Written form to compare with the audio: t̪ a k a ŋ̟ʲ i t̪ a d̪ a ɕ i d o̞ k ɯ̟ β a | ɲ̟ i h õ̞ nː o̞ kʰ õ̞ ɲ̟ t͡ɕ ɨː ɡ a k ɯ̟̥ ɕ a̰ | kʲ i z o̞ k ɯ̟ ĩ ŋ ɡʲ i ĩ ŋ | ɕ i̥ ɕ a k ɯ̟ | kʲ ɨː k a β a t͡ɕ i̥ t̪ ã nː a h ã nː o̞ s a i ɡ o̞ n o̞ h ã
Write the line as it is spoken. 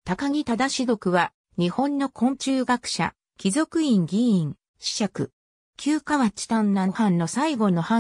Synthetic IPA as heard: t̪ a k a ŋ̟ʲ i t̪ a d̪ a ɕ i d o̞ k ɯ̟ β a | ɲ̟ i h õ̞ nː o̞ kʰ õ̞ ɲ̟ t͡ɕ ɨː ɡ a k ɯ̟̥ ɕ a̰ | kʲ i z o̞ k ɯ̟ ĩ ŋ ɡʲ i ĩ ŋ | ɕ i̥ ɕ a k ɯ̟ | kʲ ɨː k a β a t͡ɕ i̥ t̪ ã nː a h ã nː o̞ s a i ɡ o̞ n o̞ h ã